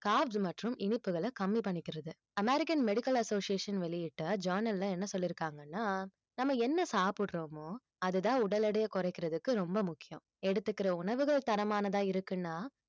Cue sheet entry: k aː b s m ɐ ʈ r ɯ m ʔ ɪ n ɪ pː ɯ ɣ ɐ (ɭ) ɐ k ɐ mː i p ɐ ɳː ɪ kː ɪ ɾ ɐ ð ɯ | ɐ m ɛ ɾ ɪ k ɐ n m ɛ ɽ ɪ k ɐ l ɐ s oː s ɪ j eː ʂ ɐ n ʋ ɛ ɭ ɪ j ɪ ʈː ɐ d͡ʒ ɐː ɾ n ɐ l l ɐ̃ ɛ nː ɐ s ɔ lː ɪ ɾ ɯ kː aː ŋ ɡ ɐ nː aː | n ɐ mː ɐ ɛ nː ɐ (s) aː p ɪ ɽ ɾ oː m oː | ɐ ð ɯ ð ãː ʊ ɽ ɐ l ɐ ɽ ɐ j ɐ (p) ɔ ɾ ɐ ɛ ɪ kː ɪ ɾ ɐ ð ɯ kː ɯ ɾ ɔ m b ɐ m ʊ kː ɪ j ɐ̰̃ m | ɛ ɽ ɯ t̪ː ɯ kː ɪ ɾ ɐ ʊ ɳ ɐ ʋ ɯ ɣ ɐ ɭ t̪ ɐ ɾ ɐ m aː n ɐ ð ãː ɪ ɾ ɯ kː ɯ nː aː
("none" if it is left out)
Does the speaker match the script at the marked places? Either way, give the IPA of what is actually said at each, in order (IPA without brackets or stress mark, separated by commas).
ɭ, s, k